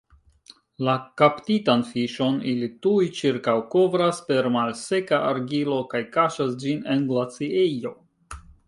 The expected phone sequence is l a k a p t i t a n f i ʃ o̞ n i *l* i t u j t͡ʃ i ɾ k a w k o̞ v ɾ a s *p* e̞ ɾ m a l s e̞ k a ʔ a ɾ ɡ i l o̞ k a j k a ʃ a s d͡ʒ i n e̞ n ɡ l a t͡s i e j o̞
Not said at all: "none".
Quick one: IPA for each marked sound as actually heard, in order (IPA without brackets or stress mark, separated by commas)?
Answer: l, p